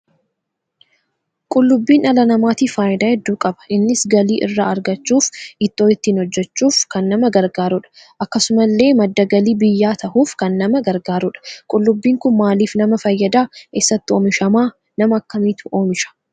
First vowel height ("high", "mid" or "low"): high